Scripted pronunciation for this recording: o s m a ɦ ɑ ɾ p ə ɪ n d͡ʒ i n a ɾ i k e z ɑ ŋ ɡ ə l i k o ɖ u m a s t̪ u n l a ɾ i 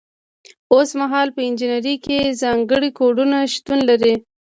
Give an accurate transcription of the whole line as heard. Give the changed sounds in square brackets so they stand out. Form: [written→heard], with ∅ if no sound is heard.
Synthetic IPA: o s m a ɦ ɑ [ɾ→l] p ə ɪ n d͡ʒ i n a ɾ i k e z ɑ ŋ ɡ ə [l→ɽ] i k o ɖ u [m→n] a [s→ʃ] t̪ u n l a ɾ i